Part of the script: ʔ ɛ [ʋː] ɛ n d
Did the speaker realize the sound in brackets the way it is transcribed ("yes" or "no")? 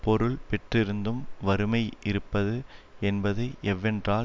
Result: yes